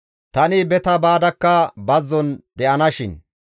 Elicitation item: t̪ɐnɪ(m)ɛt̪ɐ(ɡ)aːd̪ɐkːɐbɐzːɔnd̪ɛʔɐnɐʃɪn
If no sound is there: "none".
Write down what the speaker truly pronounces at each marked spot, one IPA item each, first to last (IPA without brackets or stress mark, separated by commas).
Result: b, b